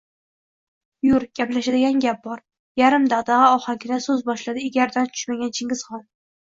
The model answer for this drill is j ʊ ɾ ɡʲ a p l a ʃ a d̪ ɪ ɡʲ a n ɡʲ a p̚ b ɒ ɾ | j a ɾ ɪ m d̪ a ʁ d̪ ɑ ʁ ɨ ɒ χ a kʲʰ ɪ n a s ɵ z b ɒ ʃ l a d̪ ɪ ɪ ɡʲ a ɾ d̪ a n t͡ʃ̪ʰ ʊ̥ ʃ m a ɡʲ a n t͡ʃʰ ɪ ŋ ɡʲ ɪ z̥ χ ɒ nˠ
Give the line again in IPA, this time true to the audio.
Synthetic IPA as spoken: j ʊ ɾ ɡʲ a p l a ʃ a d̪ ɪ ɡʲ a n ɡʲ a p̚ b ɒ ɾ | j a ɾ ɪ m d̪ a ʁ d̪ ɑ ʁ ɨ ɒ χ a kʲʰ ɪ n a s ɵ z b ɒ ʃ l a d̪ ɪ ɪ ɡʲ a ɾ d̪ a n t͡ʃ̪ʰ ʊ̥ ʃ m a ɡʲ a n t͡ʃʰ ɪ ŋ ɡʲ ɪ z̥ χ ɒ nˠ